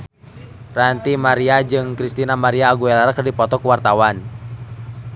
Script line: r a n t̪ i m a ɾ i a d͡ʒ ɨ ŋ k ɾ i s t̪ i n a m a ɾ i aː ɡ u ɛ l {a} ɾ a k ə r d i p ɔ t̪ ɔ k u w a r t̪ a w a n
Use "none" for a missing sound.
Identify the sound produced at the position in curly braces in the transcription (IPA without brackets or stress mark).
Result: a